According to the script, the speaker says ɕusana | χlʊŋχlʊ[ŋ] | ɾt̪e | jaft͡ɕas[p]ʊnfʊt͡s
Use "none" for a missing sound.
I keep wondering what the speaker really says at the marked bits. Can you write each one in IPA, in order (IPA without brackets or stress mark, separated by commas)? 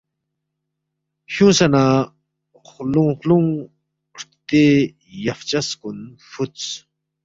ŋ, k